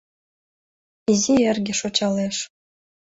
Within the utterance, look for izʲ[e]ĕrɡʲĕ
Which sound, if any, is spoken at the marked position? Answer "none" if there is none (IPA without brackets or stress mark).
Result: i